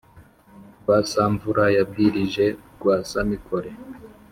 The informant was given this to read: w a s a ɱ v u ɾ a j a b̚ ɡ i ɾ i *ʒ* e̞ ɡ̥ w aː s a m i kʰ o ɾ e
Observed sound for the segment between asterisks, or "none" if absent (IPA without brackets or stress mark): ʒ